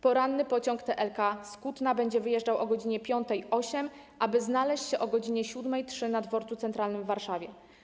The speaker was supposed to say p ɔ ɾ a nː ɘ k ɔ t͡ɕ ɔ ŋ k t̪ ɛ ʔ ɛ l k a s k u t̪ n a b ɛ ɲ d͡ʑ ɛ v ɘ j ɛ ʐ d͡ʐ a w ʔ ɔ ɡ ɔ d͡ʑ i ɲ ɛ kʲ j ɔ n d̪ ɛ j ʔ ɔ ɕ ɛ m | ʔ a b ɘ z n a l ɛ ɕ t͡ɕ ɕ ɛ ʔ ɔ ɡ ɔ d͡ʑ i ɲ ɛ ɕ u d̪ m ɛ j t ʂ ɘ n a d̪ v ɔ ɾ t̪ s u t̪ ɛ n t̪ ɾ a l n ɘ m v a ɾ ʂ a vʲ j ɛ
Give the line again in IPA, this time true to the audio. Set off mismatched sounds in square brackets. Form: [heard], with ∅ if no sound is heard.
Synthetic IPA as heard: p ɔ ɾ a nː ɘ [p] ɔ t͡ɕ ɔ ŋ k t̪ ɛ ʔ ɛ l k a s k u t̪ n a b ɛ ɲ d͡ʑ ɛ v ɘ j ɛ ʐ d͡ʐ a w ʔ ɔ ɡ ɔ d͡ʑ i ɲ ɛ [pʲ] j ɔ n [t̪] ɛ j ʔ ɔ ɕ ɛ m | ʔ a b ɘ z n a l ɛ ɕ t͡ɕ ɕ ɛ ʔ ɔ ɡ ɔ d͡ʑ i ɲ ɛ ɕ u d̪ m ɛ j t ʂ ɘ n a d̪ v ɔ ɾ t̪ s u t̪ ɛ n t̪ ɾ a l n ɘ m [vː] a ɾ ʂ a vʲ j ɛ